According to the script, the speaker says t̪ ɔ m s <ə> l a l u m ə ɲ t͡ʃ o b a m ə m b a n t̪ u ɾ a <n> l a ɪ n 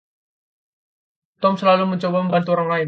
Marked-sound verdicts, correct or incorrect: correct, incorrect: ŋ

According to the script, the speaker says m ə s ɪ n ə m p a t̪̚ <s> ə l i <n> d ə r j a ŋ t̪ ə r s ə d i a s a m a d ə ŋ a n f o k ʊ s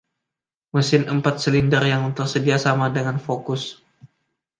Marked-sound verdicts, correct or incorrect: correct, correct

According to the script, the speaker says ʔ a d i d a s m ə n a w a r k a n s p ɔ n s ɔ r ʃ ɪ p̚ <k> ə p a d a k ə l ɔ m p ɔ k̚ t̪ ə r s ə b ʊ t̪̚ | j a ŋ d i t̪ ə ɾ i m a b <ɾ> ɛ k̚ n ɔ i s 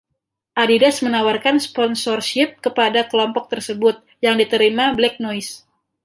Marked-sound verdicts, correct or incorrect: correct, incorrect: l

